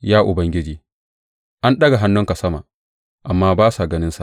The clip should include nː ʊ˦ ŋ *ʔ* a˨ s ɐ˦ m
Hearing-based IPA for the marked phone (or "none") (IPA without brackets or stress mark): k